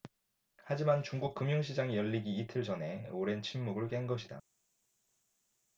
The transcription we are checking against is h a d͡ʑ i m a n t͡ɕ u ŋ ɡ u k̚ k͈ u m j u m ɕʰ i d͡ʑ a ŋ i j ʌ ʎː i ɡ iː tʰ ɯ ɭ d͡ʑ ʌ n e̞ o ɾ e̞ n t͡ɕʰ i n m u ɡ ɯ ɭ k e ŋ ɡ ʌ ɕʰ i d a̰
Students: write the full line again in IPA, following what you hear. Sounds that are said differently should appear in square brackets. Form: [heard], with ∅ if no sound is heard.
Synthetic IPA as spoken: h a d͡ʑ i m a n t͡ɕ u ŋ ɡ u k̚ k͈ [ɯ] m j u [ŋ] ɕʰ i d͡ʑ a ŋ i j ʌ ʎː i ɡ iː tʰ ɯ ɭ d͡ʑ ʌ n e̞ o ɾ e̞ n t͡ɕʰ i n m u ɡ ɯ ɭ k e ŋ ɡ ʌ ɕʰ i d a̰